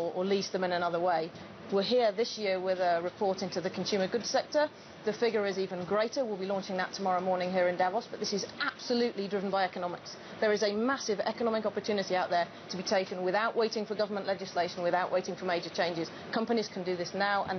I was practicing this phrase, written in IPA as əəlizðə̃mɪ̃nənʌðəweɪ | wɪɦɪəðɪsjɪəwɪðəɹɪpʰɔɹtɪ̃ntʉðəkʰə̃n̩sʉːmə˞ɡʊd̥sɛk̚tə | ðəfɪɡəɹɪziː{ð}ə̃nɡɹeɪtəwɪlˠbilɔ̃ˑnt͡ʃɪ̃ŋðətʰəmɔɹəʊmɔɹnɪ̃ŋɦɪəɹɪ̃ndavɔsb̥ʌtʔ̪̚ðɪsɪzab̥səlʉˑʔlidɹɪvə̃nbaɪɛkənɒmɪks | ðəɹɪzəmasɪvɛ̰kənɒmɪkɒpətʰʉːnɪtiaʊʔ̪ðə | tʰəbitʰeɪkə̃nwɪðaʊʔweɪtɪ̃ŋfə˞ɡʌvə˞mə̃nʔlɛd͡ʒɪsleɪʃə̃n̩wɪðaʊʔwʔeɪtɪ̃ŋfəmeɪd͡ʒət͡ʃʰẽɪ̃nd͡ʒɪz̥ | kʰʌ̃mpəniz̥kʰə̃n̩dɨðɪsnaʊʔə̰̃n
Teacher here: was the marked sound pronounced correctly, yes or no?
no